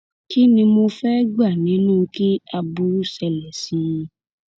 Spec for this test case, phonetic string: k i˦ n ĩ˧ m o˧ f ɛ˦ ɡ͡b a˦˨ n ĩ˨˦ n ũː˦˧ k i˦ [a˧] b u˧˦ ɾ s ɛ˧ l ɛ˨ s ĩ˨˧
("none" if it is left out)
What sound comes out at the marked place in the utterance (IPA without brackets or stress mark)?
a˧